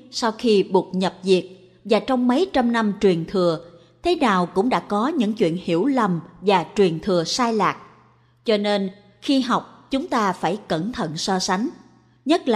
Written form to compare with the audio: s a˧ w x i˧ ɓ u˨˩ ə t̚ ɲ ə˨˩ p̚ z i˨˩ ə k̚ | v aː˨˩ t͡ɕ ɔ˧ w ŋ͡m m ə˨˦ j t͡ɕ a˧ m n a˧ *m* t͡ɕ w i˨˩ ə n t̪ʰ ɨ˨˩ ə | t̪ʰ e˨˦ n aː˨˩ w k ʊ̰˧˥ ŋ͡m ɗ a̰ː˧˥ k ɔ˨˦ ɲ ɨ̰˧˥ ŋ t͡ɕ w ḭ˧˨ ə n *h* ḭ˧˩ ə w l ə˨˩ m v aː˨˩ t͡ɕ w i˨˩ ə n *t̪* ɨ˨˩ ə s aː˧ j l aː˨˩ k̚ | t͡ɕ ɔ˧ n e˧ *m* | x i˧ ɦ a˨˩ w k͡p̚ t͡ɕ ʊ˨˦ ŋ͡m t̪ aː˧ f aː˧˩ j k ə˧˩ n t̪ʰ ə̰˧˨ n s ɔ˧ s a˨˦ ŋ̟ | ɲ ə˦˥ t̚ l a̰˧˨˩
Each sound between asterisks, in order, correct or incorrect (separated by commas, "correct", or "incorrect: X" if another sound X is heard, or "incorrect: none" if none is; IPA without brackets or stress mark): correct, correct, incorrect: t̪ʰ, incorrect: n